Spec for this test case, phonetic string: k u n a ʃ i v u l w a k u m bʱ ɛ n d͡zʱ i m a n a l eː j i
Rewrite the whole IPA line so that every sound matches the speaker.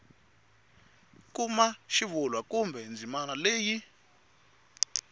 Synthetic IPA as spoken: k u m a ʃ i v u l w a k u m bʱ ɛ n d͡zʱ i m a n a l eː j i